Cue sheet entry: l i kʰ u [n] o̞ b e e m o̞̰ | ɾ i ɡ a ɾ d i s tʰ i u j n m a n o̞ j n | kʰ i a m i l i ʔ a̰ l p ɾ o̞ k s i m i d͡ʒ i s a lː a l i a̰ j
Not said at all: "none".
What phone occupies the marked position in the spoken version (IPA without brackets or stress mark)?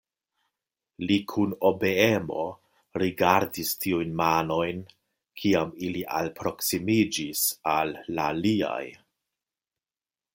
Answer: n